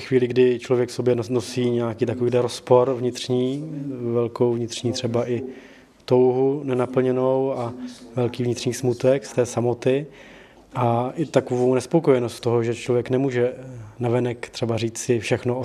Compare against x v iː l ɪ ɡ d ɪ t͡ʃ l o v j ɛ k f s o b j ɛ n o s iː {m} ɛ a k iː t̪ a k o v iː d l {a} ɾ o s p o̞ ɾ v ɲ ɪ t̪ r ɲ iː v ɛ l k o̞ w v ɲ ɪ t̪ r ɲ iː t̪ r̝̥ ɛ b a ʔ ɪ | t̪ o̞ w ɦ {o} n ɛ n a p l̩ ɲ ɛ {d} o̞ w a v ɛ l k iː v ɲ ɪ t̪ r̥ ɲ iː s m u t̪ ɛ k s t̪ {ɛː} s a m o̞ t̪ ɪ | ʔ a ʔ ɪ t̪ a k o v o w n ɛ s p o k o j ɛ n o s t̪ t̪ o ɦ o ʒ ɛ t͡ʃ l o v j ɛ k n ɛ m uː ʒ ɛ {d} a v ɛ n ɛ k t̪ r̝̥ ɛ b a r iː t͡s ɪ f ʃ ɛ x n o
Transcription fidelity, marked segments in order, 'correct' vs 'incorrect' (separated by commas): incorrect, incorrect, incorrect, incorrect, correct, incorrect